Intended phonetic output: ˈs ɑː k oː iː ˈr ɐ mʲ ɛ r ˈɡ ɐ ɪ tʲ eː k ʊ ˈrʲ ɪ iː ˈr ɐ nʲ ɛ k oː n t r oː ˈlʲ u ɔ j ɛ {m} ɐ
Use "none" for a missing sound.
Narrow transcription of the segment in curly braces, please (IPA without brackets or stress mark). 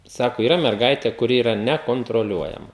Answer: m